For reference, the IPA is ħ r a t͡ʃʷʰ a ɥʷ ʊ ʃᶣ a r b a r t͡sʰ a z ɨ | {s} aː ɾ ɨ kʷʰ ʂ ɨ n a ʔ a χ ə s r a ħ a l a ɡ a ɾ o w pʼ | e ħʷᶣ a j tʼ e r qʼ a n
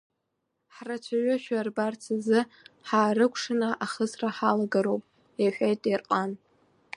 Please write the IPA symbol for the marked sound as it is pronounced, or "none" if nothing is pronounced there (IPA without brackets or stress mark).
ħ